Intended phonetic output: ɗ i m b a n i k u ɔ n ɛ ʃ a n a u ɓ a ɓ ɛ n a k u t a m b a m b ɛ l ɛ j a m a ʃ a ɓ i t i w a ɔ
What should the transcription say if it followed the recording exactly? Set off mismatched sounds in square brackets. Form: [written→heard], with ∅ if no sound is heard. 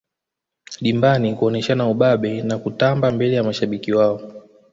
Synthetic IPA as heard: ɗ i m b a n i k u ɔ n ɛ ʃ a n a u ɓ a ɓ ɛ n a k u t a m b a m b ɛ l ɛ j a m a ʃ a ɓ i [t→k] i w a ɔ